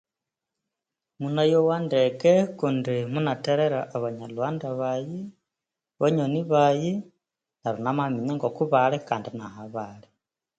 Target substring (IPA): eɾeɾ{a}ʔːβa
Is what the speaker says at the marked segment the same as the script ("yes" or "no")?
yes